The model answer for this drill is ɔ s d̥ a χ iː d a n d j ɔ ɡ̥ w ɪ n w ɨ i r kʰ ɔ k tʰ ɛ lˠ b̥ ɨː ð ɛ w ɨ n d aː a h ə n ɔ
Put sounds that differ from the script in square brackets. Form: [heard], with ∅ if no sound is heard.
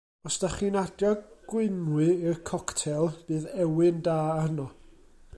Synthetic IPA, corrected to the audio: ɔ s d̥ a χ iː [n] a [∅] d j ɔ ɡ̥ w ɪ n w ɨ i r kʰ ɔ k tʰ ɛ lˠ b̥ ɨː ð ɛ w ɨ n d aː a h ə n ɔ